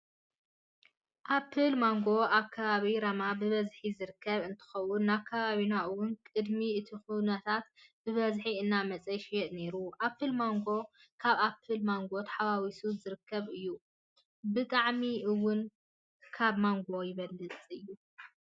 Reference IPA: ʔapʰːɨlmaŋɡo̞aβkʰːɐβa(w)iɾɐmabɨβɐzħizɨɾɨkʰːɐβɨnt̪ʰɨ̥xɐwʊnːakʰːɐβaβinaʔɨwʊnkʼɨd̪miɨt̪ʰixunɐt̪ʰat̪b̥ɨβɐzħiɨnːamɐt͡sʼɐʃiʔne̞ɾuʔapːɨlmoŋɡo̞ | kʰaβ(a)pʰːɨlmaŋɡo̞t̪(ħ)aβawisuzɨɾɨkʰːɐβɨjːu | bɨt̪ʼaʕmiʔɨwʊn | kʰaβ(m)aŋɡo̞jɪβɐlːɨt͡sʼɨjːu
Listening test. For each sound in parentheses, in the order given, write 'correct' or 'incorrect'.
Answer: incorrect, correct, correct, correct

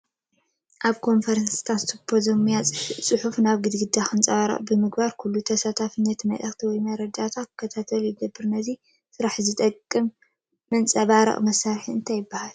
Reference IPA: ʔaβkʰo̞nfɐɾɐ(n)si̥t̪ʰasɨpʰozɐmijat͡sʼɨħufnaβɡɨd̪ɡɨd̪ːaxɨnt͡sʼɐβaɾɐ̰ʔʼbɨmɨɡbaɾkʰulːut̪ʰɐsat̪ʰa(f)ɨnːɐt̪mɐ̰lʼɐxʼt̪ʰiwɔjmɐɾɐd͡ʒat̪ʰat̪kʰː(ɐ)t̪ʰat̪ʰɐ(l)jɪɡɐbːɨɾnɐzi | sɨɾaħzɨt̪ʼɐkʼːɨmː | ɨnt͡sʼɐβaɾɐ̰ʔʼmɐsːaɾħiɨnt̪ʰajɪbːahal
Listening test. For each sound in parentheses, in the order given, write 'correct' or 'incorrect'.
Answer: correct, correct, correct, correct

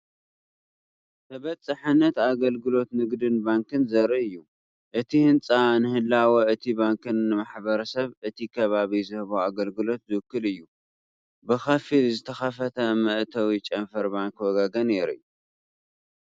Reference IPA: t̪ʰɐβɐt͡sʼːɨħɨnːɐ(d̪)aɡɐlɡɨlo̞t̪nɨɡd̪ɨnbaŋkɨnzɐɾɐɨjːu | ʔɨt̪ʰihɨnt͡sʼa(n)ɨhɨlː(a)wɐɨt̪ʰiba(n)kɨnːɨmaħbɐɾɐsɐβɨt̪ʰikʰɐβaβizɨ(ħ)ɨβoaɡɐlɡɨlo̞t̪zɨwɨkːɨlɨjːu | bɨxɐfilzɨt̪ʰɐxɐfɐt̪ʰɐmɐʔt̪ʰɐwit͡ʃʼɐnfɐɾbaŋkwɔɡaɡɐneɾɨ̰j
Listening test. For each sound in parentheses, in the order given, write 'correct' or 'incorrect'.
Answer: incorrect, correct, correct, incorrect, incorrect

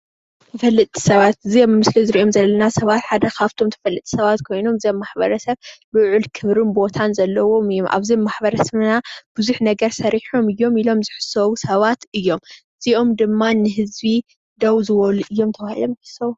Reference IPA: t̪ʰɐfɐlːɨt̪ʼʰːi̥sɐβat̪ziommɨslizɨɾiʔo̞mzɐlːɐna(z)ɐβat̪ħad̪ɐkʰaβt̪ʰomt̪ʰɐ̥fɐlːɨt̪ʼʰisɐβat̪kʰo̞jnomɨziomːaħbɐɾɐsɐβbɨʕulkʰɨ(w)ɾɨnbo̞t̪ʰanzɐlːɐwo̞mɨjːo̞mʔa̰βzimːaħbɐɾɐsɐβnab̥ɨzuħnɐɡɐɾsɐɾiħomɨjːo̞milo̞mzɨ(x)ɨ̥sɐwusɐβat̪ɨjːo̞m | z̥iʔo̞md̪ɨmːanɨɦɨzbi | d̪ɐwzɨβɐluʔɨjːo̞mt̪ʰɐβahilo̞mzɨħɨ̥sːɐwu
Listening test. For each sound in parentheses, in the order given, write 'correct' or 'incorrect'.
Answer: incorrect, incorrect, incorrect

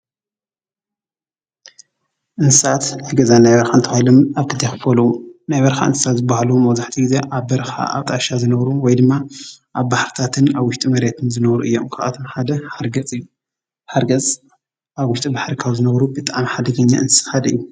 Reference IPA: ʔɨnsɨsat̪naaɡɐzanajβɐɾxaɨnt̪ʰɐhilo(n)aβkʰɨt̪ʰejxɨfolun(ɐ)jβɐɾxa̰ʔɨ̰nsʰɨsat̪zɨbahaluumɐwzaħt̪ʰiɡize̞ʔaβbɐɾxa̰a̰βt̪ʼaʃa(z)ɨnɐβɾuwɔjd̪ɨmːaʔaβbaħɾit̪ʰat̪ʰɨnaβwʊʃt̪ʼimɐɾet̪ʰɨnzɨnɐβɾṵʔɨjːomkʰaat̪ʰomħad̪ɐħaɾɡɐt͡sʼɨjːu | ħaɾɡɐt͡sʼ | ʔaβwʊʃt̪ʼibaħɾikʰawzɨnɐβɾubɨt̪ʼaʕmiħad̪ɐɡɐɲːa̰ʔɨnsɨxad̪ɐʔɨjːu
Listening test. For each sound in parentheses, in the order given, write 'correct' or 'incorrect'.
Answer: incorrect, incorrect, correct

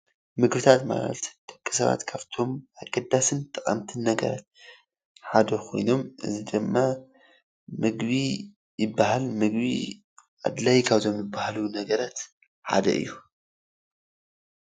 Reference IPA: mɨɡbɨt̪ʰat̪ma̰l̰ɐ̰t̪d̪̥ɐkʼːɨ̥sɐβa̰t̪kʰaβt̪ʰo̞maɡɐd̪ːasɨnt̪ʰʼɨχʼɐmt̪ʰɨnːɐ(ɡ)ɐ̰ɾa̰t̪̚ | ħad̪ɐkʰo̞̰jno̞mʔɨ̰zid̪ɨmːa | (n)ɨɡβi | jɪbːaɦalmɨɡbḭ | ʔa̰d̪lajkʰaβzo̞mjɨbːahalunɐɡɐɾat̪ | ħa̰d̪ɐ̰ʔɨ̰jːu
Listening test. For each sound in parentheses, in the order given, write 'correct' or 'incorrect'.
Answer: correct, incorrect

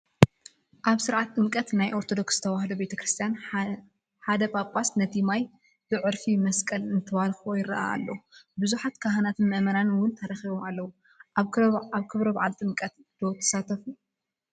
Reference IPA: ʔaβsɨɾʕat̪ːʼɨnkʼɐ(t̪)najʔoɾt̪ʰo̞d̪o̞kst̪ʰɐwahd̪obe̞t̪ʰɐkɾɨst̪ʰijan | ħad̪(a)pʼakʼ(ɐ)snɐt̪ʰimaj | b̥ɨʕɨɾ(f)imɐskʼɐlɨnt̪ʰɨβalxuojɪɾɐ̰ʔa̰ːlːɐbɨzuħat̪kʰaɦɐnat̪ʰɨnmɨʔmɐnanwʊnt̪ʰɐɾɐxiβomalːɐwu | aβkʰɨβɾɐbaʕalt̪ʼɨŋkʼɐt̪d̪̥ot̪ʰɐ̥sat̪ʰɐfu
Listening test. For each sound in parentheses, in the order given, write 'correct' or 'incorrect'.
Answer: correct, incorrect, incorrect, correct

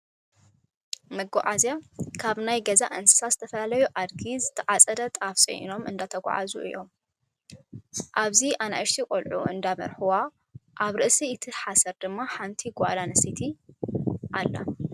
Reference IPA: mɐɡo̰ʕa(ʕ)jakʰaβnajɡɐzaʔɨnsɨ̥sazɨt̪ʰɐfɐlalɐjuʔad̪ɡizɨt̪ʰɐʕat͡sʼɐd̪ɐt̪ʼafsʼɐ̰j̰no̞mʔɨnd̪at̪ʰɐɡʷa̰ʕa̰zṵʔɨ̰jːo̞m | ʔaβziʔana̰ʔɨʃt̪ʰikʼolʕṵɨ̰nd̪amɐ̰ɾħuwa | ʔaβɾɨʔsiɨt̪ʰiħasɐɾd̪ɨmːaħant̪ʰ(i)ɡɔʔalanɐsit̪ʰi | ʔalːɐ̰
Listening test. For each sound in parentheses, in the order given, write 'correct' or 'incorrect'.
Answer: incorrect, correct

